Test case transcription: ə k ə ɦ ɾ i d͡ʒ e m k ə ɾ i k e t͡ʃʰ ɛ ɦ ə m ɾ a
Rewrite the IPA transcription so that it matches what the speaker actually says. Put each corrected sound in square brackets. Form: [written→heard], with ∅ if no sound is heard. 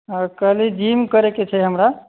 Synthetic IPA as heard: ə k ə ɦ [ɾ→l] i d͡ʒ [e→i] m k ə ɾ [i→e] k e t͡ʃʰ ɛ ɦ ə m ɾ a